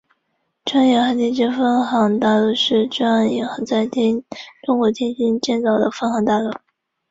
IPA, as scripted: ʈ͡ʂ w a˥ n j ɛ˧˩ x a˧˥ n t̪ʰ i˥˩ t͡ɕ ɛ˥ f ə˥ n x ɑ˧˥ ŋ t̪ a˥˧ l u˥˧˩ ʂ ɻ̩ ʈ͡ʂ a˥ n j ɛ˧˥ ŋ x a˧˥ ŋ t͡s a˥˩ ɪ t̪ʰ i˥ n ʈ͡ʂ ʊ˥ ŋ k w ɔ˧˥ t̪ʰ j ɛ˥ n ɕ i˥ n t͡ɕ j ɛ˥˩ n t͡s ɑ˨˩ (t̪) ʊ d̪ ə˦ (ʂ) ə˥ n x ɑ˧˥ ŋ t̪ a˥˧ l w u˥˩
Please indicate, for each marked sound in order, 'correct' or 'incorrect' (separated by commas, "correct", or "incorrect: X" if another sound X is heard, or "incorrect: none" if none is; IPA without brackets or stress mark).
incorrect: none, incorrect: f